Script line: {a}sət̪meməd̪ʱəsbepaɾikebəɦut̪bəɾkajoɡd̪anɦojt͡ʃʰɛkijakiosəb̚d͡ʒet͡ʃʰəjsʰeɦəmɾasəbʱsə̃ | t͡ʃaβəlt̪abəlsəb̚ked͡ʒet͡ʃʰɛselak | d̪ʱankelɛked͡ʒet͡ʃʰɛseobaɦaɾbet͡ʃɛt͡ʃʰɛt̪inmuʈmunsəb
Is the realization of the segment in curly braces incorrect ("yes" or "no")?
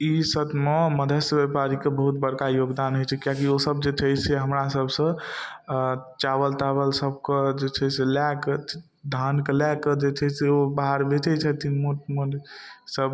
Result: yes